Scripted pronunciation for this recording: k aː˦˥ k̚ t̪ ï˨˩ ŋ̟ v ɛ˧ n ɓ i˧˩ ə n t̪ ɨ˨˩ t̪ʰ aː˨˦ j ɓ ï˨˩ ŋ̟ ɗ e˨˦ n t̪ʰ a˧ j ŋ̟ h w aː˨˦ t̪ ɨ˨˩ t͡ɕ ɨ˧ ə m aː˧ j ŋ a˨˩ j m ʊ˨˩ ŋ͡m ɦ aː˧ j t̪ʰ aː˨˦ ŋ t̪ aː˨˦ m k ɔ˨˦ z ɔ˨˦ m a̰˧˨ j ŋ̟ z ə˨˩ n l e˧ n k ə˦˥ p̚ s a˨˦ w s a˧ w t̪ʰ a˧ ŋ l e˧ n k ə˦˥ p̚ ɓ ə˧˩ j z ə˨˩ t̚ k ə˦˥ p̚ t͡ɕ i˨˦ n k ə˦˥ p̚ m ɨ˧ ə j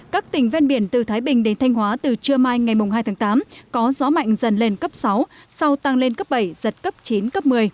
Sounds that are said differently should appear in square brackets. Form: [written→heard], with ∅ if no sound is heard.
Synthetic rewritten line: k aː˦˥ k̚ t̪ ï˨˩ ŋ̟ v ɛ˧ n ɓ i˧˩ ə n t̪ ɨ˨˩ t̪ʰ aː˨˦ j ɓ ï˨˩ ŋ̟ ɗ e˨˦ n t̪ʰ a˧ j ŋ̟ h w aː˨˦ t̪ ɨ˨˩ t͡ɕ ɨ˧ ə m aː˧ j ŋ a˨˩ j m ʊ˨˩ ŋ͡m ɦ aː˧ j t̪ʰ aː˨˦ ŋ t̪ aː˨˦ m k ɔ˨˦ z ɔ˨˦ m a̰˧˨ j ŋ̟ z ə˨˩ n l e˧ n k ə˦˥ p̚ s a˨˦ w s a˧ w [t̪ʰ→t̪] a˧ ŋ l e˧ n k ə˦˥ p̚ ɓ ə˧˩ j z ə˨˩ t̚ k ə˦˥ p̚ t͡ɕ i˨˦ n k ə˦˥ p̚ m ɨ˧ ə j